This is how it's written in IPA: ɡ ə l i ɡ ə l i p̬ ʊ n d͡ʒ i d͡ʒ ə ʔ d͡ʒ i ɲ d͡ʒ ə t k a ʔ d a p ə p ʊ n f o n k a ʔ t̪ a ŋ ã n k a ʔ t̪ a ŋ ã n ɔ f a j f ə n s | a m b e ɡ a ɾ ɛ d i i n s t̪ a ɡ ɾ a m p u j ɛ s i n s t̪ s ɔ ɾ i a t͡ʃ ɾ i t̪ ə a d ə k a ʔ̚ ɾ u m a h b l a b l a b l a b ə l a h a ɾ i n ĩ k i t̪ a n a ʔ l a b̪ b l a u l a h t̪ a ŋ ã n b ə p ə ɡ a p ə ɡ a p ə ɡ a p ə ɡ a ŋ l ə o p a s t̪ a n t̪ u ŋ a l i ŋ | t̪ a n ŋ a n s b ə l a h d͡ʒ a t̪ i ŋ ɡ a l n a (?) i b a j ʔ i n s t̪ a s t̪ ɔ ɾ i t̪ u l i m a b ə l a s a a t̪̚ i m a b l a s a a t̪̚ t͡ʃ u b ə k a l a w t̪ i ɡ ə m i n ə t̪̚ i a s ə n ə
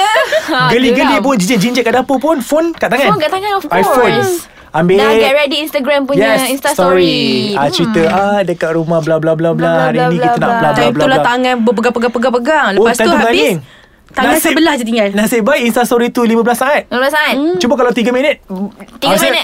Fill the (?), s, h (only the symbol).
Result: s